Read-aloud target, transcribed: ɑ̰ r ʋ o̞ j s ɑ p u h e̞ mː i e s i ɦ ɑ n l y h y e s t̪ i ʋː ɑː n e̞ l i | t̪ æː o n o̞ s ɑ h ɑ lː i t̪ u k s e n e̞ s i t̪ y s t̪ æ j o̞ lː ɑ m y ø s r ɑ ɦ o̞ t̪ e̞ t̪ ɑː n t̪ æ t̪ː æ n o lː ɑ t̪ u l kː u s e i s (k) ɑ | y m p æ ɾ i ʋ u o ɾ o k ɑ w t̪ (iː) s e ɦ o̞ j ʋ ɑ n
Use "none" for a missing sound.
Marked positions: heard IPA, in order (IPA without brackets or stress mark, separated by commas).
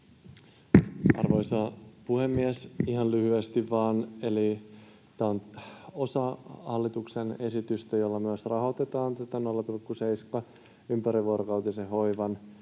k, i